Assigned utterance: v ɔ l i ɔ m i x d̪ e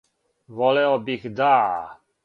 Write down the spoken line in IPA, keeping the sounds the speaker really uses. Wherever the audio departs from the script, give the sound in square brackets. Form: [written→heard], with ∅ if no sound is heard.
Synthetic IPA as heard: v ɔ l [i→ɛ] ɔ [m→b] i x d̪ [e→a]